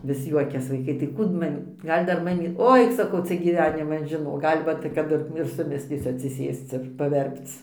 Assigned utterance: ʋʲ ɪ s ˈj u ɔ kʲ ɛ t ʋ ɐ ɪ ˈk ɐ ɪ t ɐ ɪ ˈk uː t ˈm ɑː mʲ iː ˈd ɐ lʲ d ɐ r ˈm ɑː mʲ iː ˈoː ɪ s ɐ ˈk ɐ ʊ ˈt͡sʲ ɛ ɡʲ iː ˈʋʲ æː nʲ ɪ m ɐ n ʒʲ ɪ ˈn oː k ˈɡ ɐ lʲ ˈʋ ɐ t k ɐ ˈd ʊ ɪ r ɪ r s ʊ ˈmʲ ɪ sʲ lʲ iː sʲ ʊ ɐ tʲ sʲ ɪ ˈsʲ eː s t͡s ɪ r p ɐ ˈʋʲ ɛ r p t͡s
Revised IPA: ʋʲ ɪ s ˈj u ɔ kʲ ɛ s ʋ ɐ ɪ ˈk ɐ ɪ t ɐ ɪ ˈk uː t ˈm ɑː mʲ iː ˈɡ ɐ lʲ d ɐ r ˈm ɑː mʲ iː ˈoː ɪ s ɐ ˈk ɐ ʊ ˈt͡sʲ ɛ ɡʲ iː ˈʋʲ æː nʲ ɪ m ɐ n ʒʲ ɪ ˈn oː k ˈɡ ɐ lʲ ˈʋ ɐ t k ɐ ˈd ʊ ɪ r ɪ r s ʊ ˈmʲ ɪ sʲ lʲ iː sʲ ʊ ɐ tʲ sʲ ɪ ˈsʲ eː s t͡s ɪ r p ɐ ˈʋʲ ɛ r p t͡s